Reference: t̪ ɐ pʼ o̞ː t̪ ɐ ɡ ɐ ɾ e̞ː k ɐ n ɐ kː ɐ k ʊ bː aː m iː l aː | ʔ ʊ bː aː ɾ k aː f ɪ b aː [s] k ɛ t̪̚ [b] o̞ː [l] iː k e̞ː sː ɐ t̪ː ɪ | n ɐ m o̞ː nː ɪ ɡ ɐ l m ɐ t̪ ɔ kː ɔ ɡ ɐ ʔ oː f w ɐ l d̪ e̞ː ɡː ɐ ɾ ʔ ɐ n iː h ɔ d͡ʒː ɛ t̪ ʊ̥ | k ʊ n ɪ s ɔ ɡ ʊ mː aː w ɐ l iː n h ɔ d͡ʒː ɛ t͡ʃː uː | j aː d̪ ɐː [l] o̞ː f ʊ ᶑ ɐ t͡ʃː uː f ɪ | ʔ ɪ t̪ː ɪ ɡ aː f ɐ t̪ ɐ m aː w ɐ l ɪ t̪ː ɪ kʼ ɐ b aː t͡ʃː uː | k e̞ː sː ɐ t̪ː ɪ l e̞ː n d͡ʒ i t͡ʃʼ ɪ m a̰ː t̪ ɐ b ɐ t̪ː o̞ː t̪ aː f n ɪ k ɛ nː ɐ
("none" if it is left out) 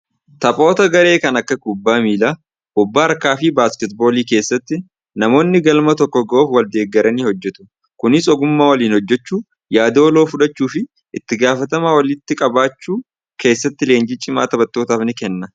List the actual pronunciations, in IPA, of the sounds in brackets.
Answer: s, b, l, l

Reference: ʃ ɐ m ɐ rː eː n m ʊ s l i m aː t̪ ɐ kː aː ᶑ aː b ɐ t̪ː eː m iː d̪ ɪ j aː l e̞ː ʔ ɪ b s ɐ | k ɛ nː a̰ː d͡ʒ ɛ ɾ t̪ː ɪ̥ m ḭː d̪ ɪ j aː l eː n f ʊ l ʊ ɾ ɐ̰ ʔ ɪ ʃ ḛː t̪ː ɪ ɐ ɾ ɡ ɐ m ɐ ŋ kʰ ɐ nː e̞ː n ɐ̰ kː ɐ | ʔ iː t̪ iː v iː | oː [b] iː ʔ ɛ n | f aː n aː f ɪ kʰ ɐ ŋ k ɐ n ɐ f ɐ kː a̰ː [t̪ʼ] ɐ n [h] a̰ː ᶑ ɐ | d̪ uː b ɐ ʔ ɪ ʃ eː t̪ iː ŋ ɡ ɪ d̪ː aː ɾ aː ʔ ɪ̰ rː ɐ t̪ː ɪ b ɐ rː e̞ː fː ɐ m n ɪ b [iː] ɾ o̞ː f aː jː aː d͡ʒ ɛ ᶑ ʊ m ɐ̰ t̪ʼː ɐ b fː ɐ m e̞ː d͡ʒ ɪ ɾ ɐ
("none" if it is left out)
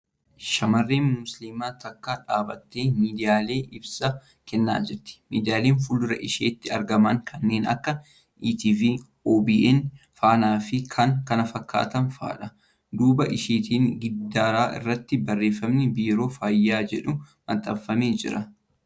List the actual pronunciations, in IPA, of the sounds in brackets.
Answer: b, t̪, f, iː

